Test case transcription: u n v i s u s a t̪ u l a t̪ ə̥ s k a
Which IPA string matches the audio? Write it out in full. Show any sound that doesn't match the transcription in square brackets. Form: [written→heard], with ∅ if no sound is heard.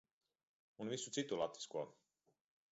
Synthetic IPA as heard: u n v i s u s [a→i] t̪ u l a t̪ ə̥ s k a